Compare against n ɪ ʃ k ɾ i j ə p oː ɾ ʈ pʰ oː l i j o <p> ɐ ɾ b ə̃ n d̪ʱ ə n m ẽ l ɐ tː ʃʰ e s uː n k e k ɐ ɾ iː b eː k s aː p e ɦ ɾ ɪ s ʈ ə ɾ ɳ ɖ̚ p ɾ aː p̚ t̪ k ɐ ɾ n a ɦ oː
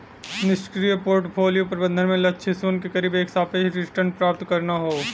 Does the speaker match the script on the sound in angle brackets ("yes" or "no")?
yes